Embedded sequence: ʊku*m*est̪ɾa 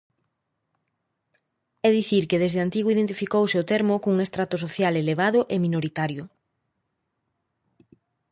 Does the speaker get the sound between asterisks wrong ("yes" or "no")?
yes